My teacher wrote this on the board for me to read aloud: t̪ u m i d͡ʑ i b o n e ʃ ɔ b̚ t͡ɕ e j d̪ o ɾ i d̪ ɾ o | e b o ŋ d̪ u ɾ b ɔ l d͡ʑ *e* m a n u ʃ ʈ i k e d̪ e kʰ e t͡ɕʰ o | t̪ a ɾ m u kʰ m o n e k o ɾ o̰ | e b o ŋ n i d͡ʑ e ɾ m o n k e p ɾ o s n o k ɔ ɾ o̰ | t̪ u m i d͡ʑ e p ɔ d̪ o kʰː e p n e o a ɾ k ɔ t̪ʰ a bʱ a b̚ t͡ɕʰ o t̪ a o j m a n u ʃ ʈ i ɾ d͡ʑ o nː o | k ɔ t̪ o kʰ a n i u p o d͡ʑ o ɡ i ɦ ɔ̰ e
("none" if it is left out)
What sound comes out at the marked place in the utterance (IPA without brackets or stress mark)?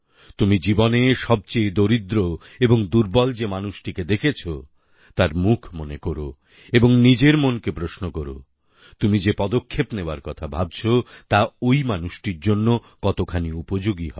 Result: e